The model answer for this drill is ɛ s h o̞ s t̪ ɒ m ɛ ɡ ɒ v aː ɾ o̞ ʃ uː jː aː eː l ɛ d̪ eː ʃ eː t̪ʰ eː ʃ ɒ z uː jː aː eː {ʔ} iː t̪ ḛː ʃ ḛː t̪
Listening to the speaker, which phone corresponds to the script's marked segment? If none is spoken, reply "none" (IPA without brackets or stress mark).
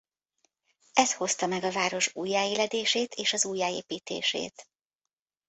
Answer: p